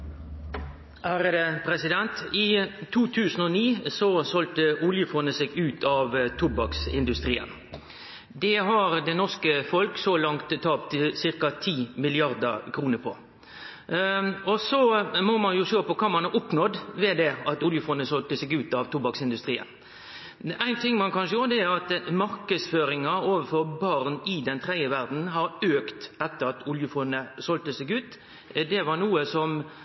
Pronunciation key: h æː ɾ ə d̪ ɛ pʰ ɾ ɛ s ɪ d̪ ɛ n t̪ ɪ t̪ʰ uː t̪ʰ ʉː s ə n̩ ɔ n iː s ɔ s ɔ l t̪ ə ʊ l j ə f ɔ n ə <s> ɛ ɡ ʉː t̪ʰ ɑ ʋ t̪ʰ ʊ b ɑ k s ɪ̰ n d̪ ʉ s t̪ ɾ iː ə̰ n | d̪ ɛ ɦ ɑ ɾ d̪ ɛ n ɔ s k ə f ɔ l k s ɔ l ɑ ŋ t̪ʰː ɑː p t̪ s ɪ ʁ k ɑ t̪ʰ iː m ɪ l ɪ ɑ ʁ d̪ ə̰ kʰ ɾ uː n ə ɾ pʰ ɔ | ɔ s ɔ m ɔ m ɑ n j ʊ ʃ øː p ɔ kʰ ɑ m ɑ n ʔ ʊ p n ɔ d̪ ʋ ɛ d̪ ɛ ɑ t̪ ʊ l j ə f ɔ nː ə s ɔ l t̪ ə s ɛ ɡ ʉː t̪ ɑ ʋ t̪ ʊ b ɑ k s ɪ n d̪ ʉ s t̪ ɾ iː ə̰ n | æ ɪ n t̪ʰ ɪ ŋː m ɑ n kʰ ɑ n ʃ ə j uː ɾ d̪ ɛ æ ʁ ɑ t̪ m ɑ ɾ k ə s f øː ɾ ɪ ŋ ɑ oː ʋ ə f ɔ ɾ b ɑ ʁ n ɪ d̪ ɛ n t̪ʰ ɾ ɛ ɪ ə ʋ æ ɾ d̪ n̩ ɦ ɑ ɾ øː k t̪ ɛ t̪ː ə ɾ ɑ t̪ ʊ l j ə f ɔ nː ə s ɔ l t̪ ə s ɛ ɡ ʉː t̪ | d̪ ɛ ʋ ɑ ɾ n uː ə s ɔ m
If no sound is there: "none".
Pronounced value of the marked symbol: s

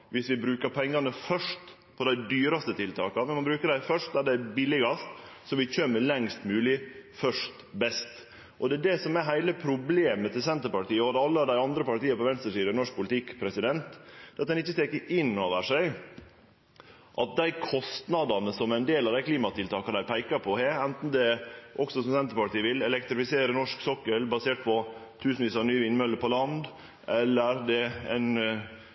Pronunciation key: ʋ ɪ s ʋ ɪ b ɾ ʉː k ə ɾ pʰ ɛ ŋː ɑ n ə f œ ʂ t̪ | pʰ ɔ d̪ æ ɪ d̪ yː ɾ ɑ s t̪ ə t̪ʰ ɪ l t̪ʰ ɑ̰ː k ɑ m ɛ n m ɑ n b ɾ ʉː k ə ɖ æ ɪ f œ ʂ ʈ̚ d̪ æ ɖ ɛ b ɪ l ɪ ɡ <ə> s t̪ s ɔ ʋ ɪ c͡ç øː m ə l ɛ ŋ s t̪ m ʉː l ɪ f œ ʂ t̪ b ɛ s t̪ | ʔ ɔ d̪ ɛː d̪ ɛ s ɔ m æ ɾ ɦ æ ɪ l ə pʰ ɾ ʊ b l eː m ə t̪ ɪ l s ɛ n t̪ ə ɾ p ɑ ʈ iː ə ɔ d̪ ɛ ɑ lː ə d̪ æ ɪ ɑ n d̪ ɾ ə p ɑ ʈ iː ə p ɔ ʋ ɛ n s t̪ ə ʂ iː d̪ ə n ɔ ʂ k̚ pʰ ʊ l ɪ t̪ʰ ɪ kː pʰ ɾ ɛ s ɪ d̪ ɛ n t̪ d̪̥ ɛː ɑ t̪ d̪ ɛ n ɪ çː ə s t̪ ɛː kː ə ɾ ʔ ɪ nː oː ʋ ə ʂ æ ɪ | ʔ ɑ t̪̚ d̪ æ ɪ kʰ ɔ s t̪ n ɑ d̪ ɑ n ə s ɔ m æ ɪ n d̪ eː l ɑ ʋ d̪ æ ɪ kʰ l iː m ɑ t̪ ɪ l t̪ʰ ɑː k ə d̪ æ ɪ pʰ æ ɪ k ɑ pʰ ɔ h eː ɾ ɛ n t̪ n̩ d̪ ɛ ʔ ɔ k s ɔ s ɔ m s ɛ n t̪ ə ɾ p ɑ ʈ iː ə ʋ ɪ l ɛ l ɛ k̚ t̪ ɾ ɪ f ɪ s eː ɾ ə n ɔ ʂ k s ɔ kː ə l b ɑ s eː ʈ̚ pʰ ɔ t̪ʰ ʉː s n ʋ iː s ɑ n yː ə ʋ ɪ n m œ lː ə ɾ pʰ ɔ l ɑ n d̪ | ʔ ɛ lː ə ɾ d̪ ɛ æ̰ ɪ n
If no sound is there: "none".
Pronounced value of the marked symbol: ɑ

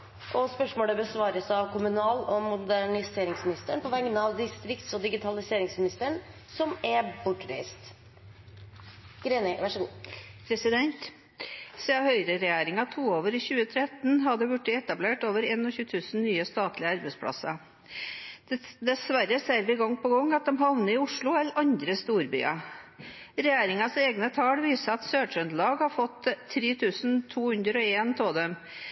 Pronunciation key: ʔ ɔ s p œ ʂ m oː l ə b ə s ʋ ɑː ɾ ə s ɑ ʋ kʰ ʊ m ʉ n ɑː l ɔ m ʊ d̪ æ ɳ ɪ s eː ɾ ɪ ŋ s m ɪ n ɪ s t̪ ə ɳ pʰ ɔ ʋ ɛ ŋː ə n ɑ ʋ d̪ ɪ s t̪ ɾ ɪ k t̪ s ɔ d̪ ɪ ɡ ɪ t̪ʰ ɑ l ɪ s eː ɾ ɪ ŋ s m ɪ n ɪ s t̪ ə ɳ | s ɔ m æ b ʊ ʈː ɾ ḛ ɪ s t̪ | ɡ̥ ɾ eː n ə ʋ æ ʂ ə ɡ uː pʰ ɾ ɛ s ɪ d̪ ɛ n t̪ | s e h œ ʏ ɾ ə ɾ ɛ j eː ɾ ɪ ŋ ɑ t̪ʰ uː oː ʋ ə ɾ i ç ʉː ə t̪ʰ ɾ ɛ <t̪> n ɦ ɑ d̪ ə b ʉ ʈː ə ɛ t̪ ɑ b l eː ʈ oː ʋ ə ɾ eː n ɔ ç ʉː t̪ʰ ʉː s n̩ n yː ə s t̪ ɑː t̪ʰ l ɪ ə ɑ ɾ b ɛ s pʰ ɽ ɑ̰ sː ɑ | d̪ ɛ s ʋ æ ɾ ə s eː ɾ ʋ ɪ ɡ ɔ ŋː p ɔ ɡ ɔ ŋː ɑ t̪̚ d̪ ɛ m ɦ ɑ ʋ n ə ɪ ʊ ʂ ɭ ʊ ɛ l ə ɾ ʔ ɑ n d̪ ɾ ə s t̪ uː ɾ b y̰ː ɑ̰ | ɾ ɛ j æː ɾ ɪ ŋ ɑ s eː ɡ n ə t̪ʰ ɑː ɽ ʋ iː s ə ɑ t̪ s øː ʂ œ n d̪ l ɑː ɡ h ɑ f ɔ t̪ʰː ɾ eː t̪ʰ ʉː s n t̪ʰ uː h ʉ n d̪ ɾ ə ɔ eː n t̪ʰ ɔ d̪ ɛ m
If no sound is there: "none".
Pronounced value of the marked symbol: t̪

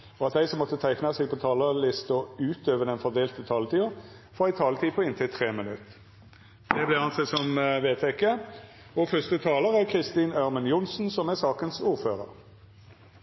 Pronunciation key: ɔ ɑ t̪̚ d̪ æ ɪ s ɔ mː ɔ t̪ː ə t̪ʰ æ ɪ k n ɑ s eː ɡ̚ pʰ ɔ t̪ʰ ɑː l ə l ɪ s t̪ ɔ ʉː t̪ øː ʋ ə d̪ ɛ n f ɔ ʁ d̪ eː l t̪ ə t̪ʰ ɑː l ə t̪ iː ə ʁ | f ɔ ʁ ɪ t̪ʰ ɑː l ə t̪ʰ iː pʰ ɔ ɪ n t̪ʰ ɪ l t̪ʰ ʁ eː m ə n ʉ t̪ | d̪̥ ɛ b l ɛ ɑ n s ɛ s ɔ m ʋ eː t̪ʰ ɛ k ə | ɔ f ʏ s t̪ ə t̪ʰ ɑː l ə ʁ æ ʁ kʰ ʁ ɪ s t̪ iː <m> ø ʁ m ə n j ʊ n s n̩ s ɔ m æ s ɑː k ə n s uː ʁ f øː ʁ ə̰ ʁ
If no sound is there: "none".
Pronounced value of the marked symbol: n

